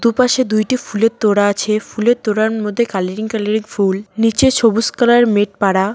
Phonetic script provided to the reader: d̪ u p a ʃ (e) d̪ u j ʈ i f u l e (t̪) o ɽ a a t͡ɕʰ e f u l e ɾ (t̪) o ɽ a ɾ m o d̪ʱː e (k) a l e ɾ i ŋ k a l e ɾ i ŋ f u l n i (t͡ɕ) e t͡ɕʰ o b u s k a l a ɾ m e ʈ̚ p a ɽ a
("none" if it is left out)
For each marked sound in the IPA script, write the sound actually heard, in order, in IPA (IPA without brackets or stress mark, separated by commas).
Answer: e, t̪, t̪, k, t͡ɕ